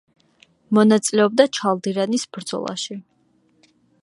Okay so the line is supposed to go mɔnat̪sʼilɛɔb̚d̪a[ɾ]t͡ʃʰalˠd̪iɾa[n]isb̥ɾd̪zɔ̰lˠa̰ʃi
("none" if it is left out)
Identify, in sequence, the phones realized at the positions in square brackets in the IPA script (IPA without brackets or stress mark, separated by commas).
none, n